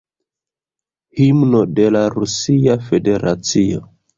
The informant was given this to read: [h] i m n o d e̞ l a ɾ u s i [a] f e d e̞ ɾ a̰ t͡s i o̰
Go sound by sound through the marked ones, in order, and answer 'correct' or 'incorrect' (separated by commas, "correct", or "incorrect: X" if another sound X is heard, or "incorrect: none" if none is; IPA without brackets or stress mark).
correct, correct